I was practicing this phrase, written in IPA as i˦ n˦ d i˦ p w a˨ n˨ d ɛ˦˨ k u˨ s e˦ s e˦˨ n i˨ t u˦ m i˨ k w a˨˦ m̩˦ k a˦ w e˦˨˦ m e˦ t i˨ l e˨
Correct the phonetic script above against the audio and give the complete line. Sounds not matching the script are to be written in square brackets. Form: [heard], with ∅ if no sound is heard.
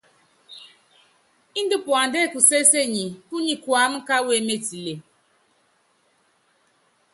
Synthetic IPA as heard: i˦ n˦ d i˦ p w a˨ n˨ d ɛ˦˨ k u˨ s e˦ s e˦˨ [ɲ] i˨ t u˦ [ɲ] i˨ k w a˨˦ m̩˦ k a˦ w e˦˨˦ m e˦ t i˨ l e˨